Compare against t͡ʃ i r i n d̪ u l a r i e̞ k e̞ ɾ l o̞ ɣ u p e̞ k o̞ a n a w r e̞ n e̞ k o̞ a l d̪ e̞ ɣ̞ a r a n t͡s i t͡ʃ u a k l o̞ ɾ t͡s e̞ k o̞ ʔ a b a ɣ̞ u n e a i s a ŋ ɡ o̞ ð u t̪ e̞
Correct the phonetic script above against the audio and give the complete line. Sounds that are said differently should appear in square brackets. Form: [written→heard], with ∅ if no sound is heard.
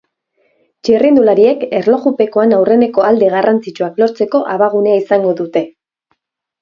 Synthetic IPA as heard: t͡ʃ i r i n d̪ u l a [r→ɾ] i e̞ k e̞ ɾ l o̞ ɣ u p e̞ k o̞ a n a w r e̞ n e̞ k o̞ a l d̪ e̞ ɣ̞ a r a n t͡s i t͡ʃ u a k l o̞ ɾ t͡s e̞ k o̞ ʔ a [b→β] a ɣ̞ u n e a i s a ŋ ɡ o̞ ð u t̪ e̞